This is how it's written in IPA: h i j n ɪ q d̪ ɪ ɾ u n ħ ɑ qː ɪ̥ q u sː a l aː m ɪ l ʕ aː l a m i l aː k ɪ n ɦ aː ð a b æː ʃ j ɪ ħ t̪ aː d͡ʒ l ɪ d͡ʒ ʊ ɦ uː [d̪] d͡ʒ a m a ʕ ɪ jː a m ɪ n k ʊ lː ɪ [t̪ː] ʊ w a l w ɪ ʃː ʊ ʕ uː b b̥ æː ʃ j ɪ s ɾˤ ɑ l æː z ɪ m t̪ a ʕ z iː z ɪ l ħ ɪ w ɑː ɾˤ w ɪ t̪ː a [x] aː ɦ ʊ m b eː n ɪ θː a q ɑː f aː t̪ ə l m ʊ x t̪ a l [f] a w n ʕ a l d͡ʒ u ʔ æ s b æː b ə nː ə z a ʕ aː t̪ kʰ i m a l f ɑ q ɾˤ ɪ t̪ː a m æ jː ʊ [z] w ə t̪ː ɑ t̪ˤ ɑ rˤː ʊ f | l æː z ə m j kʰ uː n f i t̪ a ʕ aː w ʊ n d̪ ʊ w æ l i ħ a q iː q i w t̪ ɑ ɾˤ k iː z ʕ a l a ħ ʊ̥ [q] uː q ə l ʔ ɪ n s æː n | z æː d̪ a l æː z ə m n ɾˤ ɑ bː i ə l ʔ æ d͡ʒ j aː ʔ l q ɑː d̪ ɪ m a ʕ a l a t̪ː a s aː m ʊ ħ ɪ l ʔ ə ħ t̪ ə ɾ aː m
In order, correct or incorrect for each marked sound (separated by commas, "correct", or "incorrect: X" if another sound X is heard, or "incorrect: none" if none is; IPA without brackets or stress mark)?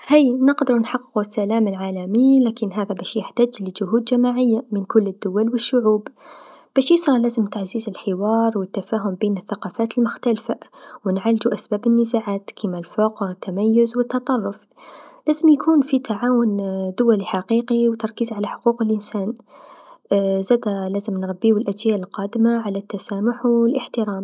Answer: correct, incorrect: d̪ː, incorrect: f, correct, correct, correct